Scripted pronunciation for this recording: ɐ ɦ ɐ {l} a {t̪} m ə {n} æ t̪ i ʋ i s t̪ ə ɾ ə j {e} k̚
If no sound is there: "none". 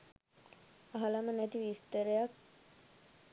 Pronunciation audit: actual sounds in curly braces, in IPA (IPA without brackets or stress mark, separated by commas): l, none, n, a